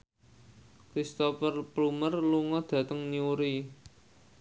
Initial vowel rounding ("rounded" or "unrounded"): unrounded